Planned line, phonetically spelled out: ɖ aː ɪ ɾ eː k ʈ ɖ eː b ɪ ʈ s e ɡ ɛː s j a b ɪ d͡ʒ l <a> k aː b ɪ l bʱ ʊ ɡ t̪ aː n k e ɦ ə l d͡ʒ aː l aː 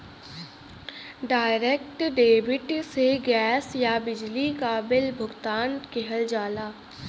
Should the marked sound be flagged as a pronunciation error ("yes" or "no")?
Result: yes